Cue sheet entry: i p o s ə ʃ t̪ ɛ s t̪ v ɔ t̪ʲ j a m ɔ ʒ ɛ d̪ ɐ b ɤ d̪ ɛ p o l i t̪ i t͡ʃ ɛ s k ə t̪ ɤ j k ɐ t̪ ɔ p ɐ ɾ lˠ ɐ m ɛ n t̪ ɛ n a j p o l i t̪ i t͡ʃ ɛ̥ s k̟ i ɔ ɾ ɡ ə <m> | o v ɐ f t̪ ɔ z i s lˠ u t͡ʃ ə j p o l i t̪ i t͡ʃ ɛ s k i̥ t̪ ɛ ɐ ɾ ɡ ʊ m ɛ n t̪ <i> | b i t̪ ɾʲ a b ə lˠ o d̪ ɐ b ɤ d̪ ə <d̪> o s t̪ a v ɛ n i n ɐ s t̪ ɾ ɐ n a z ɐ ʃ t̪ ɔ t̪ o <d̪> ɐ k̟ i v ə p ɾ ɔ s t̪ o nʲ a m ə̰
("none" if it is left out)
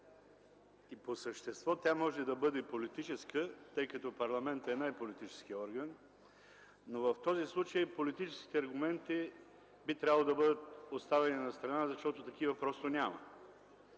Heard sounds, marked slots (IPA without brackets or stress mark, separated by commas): n, i, t̪, t̪